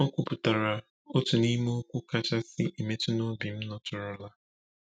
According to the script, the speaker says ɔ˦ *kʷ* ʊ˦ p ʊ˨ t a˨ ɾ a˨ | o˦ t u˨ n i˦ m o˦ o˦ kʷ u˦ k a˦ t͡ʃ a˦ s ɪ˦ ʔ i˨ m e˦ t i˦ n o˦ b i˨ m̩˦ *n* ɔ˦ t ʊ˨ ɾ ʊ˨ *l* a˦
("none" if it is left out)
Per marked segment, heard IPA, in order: kʷ, n, l

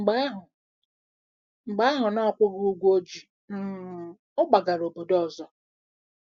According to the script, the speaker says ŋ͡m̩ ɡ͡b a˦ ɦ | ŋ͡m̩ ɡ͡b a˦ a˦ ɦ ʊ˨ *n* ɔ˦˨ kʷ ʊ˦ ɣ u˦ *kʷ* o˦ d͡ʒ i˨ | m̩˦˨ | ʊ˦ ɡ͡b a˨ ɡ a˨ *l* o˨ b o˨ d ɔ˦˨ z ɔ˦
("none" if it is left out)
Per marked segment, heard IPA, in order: n, ɡʷ, ɾ

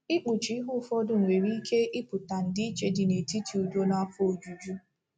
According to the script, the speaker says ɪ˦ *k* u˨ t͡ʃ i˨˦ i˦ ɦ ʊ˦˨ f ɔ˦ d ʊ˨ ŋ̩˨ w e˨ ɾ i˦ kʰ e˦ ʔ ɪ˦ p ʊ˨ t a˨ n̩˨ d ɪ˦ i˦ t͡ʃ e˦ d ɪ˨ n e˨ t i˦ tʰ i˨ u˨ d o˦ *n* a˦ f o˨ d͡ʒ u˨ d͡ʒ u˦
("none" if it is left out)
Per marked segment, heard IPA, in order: k͡p, n

